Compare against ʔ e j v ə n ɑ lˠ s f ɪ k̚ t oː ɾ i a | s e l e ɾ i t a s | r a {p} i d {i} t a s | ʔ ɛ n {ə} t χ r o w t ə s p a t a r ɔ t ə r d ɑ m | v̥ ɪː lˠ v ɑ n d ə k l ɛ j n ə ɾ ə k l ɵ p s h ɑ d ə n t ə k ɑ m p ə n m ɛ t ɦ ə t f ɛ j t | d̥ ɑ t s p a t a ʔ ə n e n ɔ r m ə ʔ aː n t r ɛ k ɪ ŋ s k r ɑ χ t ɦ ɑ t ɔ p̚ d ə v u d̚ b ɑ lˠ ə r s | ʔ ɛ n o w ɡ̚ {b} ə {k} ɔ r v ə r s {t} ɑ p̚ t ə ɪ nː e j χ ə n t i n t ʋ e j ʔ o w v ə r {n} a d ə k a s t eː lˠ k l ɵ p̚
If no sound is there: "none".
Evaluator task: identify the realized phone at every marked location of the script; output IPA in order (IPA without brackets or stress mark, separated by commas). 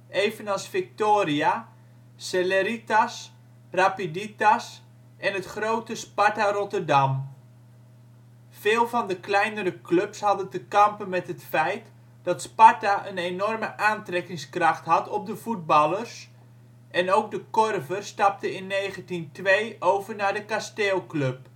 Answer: p, i, ə, d, k, t, n